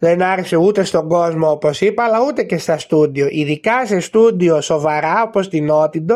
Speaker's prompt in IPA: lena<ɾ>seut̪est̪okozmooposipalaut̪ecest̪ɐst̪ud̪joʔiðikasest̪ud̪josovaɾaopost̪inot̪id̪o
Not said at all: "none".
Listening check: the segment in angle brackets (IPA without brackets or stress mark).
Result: ɾ